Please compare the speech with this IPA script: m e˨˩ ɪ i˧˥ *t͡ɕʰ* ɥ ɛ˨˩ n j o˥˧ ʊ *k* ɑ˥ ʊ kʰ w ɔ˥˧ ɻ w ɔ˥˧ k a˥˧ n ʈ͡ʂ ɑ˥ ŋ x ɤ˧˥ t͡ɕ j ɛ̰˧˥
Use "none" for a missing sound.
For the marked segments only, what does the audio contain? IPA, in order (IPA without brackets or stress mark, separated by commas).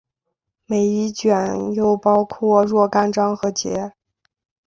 t͡ɕ, p